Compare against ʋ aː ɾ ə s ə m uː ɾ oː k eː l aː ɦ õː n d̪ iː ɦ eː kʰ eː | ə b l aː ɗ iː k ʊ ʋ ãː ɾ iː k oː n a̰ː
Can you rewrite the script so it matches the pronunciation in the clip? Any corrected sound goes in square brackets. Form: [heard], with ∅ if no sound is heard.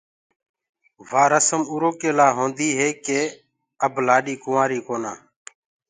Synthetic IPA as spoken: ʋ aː ɾ ə s ə m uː ɾ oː k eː l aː ɦ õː n d̪ iː ɦ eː [k] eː | ə b l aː ɗ iː k ʊ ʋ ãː ɾ iː k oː n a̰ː